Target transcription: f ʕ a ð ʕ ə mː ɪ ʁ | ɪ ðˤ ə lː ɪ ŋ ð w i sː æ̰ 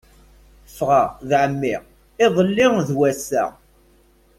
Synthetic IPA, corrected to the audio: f ʁ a ð ʕ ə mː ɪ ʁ | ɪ ðˤ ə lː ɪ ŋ ð w æ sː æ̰